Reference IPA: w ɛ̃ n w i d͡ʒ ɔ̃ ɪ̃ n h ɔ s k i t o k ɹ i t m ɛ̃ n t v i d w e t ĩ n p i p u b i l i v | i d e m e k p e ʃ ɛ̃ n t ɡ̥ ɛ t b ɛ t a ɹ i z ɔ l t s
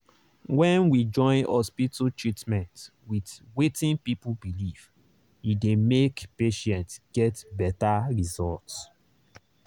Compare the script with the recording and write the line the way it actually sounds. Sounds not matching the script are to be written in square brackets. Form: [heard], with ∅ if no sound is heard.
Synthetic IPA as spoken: w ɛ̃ n w i d͡ʒ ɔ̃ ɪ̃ n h ɔ s [p] i t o [t] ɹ i t m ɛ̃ n t [w] i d w e t ĩ n p i p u b i l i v | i d e m e k p e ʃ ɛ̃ n t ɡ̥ ɛ t b ɛ t a ɹ i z ɔ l t s